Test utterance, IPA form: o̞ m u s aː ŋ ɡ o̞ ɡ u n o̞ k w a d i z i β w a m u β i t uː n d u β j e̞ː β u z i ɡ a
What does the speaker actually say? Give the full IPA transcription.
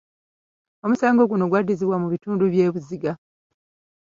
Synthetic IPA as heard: o̞ m u s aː ŋ ɡ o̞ ɡ u n o̞ ɡ w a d i z i β w a m u β i t uː n d u β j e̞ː β u z i ɡ a